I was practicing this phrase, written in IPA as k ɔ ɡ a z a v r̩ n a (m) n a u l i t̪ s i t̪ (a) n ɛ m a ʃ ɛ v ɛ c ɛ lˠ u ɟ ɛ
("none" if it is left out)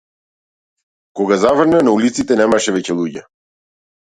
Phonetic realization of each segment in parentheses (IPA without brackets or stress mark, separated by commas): none, ɛ